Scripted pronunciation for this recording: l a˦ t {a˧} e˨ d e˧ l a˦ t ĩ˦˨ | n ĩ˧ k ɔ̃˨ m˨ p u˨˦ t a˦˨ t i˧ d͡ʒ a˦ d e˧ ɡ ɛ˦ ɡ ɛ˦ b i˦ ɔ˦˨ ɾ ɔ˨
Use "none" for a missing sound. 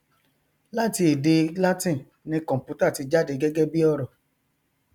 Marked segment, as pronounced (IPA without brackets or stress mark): i˧